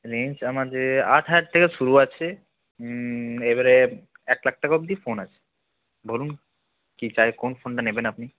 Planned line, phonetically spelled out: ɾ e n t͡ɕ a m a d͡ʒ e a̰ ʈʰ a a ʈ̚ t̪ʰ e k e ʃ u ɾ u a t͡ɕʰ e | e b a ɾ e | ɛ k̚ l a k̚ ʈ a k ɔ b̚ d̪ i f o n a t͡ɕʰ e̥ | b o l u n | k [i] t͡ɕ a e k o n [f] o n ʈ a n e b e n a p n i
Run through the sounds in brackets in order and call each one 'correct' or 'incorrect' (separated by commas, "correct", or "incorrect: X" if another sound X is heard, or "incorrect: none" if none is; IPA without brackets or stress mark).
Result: correct, correct